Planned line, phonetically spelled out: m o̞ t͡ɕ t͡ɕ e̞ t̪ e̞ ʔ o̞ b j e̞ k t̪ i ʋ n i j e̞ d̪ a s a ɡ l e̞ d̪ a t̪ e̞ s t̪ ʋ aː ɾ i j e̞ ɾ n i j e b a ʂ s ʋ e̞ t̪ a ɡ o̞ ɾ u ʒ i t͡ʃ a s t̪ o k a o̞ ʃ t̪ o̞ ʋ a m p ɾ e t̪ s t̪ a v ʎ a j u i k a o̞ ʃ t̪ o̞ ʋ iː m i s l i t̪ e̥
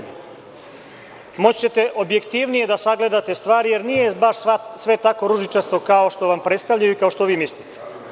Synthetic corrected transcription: m o̞ t͡ɕ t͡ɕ e̞ t̪ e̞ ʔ o̞ b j e̞ k t̪ i ʋ n i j e̞ d̪ a s a ɡ l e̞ d̪ a t̪ e̞ s t̪ ʋ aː ɾ i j e̞ ɾ n i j e b a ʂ s ʋ e̞ t̪ a k o̞ ɾ u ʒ i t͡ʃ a s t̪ o k a o̞ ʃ t̪ o̞ ʋ a m p ɾ e t̪ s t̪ a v ʎ a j u i k a o̞ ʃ t̪ o̞ ʋ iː m i s l i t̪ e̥